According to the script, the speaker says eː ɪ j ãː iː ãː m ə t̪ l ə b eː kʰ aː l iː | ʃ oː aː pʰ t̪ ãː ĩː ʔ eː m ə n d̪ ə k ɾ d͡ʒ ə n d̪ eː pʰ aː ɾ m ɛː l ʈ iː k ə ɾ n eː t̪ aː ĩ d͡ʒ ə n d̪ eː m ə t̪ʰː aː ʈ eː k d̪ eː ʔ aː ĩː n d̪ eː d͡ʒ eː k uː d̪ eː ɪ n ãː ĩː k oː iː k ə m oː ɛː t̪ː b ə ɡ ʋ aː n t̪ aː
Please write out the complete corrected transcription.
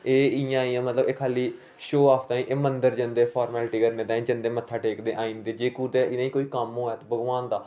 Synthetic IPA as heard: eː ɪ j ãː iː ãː m ə t̪ l ə b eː kʰ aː l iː | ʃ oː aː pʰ t̪ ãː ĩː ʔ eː m ə n d̪ ə ɾ d͡ʒ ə n d̪ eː pʰ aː ɾ m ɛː l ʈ iː k ə ɾ n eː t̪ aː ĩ d͡ʒ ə n d̪ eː m ə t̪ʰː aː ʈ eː k d̪ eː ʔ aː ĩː n d̪ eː d͡ʒ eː k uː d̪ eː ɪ n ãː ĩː k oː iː k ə m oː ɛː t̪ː b ə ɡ ʋ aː n d̪ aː

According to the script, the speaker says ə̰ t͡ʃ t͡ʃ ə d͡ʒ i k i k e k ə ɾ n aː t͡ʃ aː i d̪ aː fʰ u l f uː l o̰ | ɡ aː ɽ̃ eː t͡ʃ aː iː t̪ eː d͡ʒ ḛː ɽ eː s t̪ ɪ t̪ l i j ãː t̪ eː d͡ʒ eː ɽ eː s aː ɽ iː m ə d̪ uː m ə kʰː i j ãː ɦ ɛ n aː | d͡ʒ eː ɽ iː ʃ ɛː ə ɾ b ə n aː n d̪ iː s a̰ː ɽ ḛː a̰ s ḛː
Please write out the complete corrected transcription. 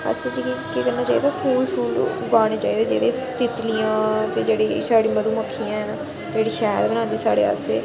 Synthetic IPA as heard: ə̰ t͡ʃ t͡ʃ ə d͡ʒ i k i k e k ə ɾ n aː t͡ʃ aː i d̪ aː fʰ uː l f uː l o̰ | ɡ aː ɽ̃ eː t͡ʃ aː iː d̪ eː d͡ʒ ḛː ɽ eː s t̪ ɪ t̪ l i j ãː t̪ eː d͡ʒ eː ɽ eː s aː ɽ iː m ə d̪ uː m ə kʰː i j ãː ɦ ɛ n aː | d͡ʒ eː ɽ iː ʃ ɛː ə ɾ b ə n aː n d̪ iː s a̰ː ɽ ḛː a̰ s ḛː

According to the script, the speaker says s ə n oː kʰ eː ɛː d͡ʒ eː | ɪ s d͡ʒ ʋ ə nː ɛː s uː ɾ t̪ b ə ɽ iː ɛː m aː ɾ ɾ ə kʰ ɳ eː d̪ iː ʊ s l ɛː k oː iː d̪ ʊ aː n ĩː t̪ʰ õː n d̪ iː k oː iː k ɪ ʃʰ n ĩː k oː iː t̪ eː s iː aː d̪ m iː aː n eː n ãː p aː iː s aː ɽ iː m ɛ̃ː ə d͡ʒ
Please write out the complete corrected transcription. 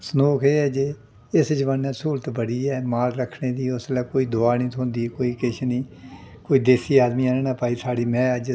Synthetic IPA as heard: s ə n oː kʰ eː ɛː d͡ʒ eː | ɪ s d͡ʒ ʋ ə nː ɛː s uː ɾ t̪ b ə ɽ iː ɛː m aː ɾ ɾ ə kʰ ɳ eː d̪ iː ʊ s l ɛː k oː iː d̪ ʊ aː n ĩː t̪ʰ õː n d̪ iː k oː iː k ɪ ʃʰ n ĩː k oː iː d̪ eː s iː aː d̪ m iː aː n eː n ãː p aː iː s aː ɽ iː m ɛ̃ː ə d͡ʒ

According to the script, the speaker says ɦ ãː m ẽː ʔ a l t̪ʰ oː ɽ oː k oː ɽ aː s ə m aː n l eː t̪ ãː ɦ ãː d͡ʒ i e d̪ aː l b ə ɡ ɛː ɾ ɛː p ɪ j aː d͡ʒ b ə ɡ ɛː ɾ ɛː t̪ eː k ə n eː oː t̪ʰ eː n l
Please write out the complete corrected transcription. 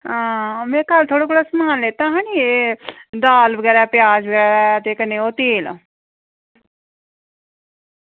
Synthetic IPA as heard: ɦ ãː m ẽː k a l t̪ʰ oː ɽ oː k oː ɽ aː s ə m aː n l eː t̪ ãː ɦ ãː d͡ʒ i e d̪ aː l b ə ɡ ɛː ɾ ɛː p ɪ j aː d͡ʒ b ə ɡ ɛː ɾ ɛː t̪ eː k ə n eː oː t̪ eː l

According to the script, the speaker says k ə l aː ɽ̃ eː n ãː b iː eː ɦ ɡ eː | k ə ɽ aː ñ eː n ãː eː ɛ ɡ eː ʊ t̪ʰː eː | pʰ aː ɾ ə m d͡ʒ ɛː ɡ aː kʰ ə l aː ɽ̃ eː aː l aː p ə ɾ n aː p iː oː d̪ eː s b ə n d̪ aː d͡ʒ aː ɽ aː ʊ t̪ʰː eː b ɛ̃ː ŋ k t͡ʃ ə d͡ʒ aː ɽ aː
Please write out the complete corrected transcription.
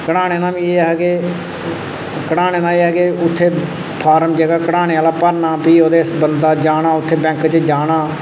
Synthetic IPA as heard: k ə ɽ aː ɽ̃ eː n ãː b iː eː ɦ ɡ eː | k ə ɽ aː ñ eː n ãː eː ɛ ɡ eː ʊ t̪ʰː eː | pʰ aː ɾ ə m d͡ʒ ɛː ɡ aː k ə ɽ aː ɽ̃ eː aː l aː p ə ɾ n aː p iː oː d̪ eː s b ə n d̪ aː d͡ʒ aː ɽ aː ʊ t̪ʰː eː b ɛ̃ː ŋ k t͡ʃ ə d͡ʒ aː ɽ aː

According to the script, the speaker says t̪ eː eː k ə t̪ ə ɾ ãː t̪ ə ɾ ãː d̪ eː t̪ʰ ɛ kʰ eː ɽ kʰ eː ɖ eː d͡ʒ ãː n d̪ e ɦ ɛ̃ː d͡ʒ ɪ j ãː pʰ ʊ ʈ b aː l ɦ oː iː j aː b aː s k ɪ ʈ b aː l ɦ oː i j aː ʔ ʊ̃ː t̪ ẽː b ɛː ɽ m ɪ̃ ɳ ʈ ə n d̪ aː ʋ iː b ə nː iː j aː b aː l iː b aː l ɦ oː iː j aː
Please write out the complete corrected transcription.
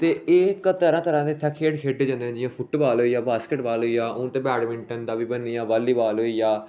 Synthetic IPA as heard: t̪ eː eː k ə t̪ ə ɾ ãː t̪ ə ɾ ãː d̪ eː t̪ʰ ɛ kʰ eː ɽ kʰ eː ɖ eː d͡ʒ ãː n d̪ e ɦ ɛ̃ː d͡ʒ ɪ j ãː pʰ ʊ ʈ b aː l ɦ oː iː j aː b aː s k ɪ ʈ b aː l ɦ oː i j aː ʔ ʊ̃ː t̪ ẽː b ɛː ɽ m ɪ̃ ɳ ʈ ə n d̪ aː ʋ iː b ə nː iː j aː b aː l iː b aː l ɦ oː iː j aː

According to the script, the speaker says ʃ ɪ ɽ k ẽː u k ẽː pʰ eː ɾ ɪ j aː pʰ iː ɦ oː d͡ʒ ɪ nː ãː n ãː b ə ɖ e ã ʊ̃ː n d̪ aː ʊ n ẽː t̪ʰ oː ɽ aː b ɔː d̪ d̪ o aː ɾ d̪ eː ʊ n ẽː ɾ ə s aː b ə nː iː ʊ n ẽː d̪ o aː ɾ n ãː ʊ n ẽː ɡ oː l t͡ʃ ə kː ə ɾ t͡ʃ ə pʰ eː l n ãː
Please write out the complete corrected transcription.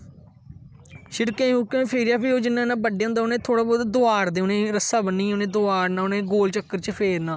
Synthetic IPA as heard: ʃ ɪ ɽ k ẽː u k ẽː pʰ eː ɾ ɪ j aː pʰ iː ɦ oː d͡ʒ ɪ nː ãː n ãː b ə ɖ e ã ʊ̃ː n d̪ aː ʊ n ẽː t̪ʰ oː ɽ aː b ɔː d̪ d̪ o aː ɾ d̪ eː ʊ n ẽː ɾ ə s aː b ə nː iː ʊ n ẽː d̪ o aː ɾ n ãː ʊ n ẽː ɡ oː l t͡ʃ ə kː ə ɾ t͡ʃ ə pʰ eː ɾ n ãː

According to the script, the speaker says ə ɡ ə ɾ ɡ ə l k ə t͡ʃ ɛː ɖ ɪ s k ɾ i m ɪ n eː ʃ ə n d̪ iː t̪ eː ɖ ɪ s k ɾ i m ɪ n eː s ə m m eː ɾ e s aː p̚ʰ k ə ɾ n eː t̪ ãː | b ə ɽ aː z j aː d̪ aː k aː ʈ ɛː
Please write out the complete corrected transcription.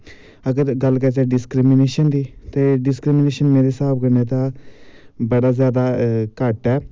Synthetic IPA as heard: ə ɡ ə ɾ ɡ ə l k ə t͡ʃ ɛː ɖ ɪ s k ɾ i m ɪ n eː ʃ ə n d̪ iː t̪ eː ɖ ɪ s k ɾ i m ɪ n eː ʃ ə n m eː ɾ e s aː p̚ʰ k ə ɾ n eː t̪ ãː | b ə ɽ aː z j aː d̪ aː k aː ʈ ɛː

